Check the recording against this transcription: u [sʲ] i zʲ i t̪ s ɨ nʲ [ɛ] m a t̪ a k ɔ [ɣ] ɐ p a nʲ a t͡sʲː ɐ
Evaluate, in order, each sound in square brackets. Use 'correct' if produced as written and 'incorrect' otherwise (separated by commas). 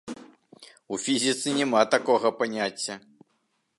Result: incorrect, correct, correct